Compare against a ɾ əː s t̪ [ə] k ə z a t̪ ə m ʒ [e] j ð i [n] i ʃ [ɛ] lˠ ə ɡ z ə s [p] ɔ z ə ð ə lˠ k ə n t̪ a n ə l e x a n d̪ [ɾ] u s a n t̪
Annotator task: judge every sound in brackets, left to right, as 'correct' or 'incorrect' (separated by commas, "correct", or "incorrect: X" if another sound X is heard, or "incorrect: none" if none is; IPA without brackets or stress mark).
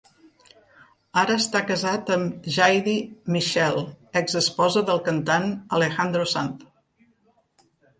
incorrect: a, incorrect: a, incorrect: m, correct, correct, correct